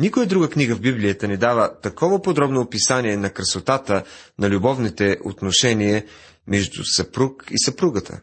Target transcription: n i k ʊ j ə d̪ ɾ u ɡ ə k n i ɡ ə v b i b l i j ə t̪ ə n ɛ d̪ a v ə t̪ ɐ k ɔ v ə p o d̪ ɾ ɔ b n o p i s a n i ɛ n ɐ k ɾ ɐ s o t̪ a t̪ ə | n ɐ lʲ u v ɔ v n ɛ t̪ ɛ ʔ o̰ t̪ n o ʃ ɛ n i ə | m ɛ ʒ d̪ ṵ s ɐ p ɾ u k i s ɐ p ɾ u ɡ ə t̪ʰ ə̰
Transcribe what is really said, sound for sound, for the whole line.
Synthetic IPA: n i k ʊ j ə d̪ ɾ u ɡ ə k n i ɡ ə v b i b l i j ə t̪ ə n ɛ d̪ a v ə t̪ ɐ k ɔ v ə p o d̪ ɾ ɔ b n o p i s a n i ɛ n ɐ k ɾ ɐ s o t̪ a t̪ ə | n ɐ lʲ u b ɔ v n i t̪ ɛ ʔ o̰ t̪ n o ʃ ɛ n i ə | m ɛ ʒ d̪ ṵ s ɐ p ɾ u k i s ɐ p ɾ u ɡ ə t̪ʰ ə̰